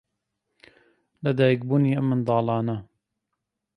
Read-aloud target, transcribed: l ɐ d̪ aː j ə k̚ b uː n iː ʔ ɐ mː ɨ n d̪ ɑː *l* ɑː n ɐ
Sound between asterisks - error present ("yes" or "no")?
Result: no